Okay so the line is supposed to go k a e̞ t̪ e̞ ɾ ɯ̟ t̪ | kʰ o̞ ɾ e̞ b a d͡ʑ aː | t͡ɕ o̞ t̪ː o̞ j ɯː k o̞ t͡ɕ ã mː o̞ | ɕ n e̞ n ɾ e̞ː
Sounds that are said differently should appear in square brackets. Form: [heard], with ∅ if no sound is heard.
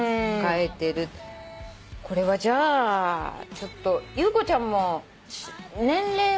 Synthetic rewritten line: k a e̞ t̪ e̞ ɾ ɯ̟ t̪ | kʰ o̞ ɾ e̞ [β] a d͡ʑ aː | t͡ɕ o̞ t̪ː o̞ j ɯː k o̞ t͡ɕ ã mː o̞ | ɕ n [ẽ̞] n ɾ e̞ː